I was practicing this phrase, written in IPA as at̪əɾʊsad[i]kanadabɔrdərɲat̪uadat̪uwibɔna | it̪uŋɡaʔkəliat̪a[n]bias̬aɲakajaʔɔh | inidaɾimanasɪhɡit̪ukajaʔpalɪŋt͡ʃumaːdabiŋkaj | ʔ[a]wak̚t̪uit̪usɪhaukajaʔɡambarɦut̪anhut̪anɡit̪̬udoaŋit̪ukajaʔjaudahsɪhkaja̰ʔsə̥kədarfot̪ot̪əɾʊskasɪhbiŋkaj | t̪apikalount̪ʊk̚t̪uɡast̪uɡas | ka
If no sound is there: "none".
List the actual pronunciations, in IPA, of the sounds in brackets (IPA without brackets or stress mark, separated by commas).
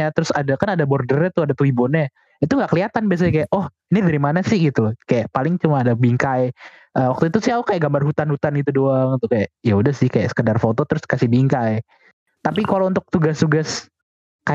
a, n, ə